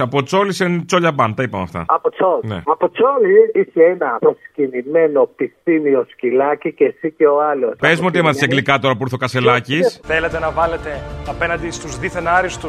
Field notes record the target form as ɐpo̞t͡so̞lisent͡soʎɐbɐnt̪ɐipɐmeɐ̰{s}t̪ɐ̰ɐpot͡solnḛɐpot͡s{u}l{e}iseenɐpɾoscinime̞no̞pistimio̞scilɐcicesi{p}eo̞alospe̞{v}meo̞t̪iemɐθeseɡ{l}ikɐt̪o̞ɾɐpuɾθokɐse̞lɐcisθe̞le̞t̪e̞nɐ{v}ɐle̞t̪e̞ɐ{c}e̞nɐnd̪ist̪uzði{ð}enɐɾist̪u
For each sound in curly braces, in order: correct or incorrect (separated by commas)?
incorrect, incorrect, incorrect, incorrect, incorrect, correct, correct, incorrect, incorrect